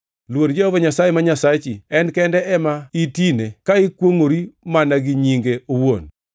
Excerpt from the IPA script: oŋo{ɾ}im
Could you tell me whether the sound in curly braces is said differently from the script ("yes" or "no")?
no